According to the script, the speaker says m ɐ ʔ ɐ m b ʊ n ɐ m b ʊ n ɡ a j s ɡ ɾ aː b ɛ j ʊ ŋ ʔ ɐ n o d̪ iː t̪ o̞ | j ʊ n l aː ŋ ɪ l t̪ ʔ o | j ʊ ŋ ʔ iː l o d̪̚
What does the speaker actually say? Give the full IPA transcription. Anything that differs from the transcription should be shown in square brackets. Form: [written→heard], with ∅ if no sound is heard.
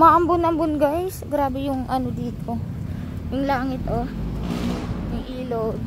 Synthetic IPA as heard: m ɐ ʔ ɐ m b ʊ n ɐ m b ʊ n ɡ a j s ɡ ɾ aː b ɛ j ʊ ŋ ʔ ɐ n o d̪ iː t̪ o̞ | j ʊ [n→ŋ] l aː ŋ ɪ [l→∅] t̪ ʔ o | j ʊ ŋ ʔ iː l o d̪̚